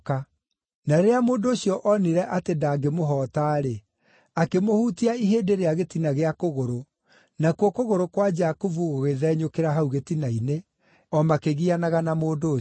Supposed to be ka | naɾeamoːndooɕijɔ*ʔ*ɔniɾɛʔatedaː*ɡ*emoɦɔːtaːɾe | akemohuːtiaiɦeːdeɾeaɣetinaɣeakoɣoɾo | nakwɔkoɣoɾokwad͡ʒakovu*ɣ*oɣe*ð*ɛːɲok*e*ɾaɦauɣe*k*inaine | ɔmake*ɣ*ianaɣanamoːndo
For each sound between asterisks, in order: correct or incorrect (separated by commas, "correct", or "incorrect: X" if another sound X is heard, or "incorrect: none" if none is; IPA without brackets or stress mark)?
correct, correct, correct, correct, correct, incorrect: t, correct